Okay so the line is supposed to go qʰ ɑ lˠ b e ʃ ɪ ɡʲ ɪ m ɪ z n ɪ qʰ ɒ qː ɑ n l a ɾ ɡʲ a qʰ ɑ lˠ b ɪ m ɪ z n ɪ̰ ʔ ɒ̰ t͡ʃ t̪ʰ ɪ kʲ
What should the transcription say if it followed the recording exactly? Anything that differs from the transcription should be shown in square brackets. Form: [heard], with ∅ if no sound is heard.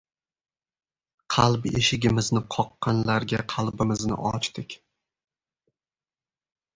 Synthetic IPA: qʰ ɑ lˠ b e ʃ ɪ ɡʲ ɪ m ɪ z n ɪ qʰ ɒ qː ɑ n l a ɾ ɡʲ a qʰ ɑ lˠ b ɪ m ɪ z n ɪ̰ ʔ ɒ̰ t͡ʃ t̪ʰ ɪ kʲ